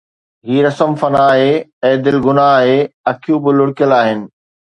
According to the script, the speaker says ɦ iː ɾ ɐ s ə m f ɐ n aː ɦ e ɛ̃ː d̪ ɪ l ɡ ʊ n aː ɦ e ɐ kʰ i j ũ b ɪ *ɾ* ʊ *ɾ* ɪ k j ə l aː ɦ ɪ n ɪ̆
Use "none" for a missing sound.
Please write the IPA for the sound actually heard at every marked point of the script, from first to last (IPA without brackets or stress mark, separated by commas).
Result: l, ɽ